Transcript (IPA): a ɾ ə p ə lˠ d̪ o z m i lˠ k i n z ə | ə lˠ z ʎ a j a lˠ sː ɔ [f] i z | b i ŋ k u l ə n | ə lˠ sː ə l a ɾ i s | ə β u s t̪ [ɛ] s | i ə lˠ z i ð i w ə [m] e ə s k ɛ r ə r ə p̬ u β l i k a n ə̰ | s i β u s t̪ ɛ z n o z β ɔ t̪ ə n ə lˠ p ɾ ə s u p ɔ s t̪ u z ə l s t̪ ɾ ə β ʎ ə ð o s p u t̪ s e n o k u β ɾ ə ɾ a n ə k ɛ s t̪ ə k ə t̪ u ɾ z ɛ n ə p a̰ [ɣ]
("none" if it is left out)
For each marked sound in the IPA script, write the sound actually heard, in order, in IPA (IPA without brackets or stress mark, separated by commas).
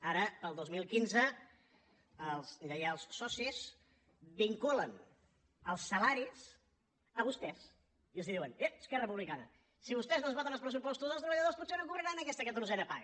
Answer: s, ɛ, n, ɣ